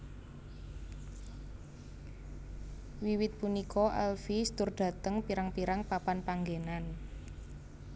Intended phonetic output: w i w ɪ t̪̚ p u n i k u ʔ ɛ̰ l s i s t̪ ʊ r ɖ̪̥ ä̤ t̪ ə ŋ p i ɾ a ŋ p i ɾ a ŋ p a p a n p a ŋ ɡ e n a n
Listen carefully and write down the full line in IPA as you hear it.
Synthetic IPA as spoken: w i w ɪ t̪̚ p u n i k ɔ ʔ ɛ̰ l f i s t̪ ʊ r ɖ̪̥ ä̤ t̪ ə ŋ p i ɾ a ŋ p i ɾ a ŋ p a p a n p a ŋ ɡ e n a n